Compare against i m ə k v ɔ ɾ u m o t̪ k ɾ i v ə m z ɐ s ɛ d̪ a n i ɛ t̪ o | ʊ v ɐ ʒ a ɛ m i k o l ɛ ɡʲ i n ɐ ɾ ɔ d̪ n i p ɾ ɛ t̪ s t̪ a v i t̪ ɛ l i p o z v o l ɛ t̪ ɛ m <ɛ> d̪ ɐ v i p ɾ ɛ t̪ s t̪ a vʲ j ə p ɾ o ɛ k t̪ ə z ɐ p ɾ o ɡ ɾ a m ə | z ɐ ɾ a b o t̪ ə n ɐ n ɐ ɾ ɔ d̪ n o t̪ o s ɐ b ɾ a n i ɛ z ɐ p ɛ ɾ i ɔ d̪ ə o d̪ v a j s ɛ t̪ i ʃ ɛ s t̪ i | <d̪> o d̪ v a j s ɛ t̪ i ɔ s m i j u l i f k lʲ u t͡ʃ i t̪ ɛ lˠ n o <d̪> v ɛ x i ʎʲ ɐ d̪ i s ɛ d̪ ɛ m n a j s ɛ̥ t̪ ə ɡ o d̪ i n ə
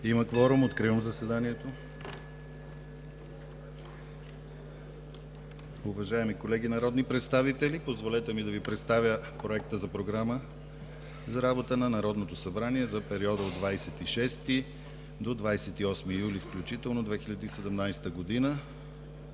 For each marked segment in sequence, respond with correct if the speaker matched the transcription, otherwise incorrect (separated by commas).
incorrect, correct, correct